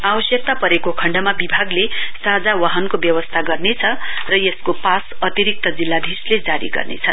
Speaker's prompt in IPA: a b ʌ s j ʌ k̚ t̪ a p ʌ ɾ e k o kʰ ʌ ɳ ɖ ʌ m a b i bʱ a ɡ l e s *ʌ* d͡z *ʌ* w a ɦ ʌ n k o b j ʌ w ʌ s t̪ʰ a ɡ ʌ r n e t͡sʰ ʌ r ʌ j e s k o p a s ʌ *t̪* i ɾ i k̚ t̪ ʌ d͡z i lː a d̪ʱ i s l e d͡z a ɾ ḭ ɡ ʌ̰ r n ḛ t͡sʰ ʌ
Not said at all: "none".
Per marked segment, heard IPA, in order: a, a, t̪

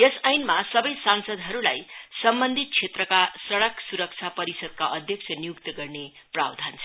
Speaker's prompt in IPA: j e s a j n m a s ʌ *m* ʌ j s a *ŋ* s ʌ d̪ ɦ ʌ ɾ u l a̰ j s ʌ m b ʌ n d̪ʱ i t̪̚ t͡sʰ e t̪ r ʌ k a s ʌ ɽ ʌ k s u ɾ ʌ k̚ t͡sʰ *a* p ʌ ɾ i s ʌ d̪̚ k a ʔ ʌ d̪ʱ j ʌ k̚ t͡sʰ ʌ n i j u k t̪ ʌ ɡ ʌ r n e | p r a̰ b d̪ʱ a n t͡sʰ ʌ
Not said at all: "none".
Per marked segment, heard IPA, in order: b, n, a

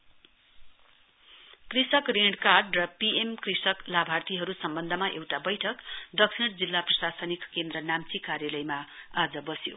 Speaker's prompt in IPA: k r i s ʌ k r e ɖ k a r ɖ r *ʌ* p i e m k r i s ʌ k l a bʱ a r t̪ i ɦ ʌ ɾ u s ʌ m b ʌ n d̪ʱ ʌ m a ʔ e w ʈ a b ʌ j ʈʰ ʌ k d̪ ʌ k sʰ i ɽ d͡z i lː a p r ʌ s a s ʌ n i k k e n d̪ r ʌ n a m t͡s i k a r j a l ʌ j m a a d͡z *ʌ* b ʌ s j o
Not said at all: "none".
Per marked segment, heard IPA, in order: ʌ, ʌ

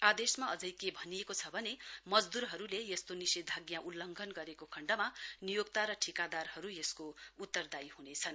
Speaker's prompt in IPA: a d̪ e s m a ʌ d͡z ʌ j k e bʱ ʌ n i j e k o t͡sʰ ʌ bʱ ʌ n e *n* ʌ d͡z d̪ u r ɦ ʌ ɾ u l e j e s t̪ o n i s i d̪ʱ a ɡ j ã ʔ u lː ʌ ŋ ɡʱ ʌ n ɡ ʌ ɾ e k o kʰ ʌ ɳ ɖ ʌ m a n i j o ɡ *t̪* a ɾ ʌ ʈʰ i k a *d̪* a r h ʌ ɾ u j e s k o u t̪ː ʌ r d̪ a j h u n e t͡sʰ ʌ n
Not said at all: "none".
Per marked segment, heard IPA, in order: m, t̪, d̪

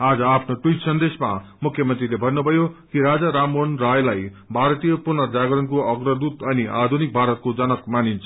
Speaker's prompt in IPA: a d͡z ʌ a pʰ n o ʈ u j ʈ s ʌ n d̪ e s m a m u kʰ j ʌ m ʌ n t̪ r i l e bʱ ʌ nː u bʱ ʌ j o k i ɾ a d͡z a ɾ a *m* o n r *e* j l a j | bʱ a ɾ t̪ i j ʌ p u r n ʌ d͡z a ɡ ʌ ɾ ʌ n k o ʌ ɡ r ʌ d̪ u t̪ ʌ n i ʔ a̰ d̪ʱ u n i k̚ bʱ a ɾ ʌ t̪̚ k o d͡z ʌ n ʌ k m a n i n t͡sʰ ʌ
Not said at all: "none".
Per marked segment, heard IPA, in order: m, a

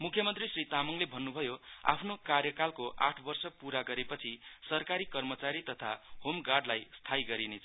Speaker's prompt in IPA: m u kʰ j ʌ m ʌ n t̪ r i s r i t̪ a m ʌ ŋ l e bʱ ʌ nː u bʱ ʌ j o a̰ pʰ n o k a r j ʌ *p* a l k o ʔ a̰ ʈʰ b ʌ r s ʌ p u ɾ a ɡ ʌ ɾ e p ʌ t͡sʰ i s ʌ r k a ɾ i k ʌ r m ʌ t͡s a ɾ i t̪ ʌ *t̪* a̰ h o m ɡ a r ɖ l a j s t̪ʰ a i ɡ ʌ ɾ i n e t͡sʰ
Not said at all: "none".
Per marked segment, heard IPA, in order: k, t̪ʰ

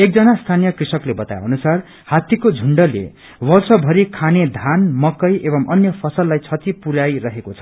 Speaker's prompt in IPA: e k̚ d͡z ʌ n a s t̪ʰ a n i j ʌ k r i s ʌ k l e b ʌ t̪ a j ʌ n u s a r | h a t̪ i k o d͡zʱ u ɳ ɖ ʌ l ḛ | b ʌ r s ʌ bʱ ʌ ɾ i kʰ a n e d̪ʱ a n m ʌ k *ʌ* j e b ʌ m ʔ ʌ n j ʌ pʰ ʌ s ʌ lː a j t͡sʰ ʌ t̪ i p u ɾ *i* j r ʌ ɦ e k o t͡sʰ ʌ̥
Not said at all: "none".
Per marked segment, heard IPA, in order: ʌ, a

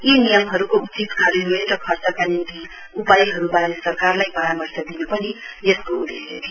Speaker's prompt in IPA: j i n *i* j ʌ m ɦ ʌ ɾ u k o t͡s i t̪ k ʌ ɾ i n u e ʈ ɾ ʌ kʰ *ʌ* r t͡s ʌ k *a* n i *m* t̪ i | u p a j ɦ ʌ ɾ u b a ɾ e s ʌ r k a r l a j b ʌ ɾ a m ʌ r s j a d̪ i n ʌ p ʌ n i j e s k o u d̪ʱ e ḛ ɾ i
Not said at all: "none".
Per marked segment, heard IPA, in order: i, ʌ, a, n

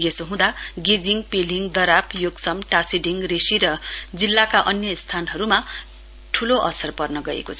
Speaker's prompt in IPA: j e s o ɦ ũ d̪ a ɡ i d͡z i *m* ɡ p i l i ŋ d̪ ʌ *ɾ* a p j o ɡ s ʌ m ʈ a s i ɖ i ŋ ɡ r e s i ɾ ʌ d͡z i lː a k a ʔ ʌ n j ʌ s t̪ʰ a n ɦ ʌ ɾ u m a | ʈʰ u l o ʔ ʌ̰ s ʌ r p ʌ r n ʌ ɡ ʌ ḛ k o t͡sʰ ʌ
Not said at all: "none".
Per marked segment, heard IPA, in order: ŋ, ɾ

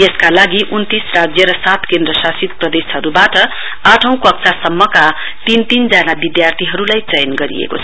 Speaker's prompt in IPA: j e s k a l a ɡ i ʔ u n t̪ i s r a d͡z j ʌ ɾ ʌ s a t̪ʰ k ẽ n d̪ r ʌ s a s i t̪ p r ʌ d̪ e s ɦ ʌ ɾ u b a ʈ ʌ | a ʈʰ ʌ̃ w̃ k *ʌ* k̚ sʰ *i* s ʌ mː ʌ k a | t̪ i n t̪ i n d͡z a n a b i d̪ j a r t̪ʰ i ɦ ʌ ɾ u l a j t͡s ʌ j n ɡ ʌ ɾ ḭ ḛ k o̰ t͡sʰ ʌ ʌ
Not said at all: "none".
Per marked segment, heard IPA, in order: ʌ, a

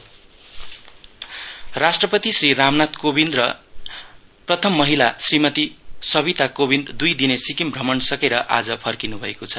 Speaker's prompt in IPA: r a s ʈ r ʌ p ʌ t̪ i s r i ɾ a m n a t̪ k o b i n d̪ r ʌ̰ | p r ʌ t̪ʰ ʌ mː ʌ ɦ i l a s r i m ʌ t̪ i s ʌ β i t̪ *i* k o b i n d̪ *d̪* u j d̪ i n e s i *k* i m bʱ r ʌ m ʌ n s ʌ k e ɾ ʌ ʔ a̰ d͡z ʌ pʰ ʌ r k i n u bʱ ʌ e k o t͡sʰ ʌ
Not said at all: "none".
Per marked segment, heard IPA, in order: a, d̪, k

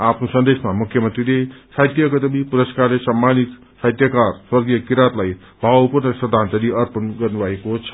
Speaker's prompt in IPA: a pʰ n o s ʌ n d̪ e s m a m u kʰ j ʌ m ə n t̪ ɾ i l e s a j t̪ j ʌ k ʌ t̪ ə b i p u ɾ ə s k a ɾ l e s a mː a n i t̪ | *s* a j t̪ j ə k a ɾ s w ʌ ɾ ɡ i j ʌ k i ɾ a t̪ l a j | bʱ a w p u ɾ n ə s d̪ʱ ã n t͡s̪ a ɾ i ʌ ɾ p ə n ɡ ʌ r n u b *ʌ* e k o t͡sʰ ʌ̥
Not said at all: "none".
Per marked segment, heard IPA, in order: s, a

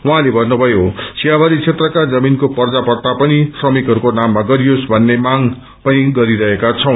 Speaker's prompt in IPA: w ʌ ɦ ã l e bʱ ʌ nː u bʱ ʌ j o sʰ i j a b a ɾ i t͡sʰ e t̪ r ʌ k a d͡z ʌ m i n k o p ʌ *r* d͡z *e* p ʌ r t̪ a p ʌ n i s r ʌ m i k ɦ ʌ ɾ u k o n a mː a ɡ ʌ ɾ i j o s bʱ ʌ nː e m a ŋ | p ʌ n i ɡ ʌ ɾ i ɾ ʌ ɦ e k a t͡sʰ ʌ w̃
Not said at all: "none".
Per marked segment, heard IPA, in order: r, a

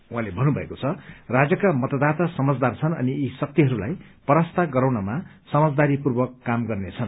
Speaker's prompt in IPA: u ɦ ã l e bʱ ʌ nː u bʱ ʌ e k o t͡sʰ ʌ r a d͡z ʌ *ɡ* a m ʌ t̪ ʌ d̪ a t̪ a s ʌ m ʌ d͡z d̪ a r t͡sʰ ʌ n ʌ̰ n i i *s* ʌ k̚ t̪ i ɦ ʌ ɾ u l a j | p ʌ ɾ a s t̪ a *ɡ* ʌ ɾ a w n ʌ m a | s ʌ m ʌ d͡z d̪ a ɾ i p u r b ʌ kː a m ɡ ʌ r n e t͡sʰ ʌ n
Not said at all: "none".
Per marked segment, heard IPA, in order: k, s, ɡ

